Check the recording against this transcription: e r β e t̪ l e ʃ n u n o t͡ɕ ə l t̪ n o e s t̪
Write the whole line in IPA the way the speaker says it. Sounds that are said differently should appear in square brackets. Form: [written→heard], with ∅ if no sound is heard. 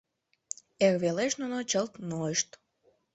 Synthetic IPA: e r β e [t̪→∅] l e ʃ n u n o t͡ɕ ə l t̪ n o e [s→ʃ] t̪